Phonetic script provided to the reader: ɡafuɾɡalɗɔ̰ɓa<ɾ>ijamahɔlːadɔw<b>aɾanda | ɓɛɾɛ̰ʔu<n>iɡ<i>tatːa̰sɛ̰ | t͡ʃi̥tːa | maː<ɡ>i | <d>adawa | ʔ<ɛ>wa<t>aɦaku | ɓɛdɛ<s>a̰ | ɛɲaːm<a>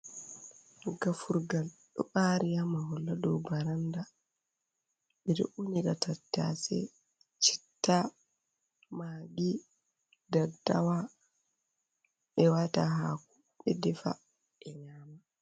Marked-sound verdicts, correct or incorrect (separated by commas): correct, correct, correct, incorrect, correct, correct, correct, correct, incorrect, correct